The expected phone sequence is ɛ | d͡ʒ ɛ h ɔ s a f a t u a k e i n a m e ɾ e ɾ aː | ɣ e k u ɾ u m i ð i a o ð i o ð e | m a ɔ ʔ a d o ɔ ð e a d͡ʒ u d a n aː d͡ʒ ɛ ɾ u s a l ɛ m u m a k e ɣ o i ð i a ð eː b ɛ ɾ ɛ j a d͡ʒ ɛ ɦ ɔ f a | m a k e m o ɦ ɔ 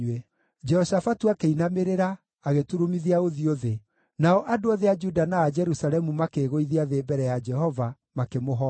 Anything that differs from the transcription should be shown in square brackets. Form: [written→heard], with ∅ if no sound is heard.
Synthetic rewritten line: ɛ | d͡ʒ ɛ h ɔ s a f a t u a k e i n a m e ɾ e ɾ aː | ɣ e [k→t] u ɾ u m i ð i a o ð i o ð e | [m→n] a ɔ ʔ a d o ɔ ð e a d͡ʒ u d a n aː d͡ʒ ɛ ɾ u s a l ɛ m u m a k e ɣ o i ð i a ð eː b ɛ ɾ ɛ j a d͡ʒ ɛ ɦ ɔ [f→v] a | m a k e m o ɦ ɔ